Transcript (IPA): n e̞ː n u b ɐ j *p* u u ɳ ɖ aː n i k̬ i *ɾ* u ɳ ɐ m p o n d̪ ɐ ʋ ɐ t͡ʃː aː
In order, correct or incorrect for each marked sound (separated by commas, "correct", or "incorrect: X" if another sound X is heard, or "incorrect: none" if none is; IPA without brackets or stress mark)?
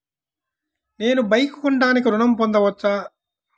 incorrect: k, correct